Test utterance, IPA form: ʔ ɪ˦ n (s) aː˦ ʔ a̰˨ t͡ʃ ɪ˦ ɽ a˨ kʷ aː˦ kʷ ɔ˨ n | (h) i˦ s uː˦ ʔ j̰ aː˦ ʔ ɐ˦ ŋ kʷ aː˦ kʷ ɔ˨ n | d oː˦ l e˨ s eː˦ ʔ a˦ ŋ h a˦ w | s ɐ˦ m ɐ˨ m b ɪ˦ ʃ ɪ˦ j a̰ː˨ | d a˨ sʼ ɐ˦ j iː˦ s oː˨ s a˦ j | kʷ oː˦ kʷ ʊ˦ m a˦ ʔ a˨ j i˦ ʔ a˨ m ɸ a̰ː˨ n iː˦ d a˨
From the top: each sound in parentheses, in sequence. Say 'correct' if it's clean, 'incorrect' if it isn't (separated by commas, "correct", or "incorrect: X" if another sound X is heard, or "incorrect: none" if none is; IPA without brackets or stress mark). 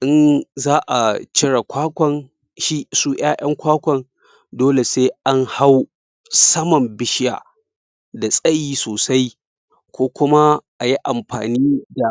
incorrect: z, incorrect: ʃ